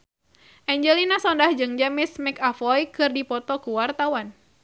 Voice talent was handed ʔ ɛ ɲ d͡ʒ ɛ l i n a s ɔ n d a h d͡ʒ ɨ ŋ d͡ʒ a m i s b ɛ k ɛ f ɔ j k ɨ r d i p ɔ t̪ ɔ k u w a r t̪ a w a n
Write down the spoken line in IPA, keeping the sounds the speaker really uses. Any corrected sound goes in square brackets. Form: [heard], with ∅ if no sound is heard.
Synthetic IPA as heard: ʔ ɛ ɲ d͡ʒ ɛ l i n a s ɔ n d a h d͡ʒ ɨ ŋ d͡ʒ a m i s [m] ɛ k [a] f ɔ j k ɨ r d i p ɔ t̪ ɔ k u w a r t̪ a w a n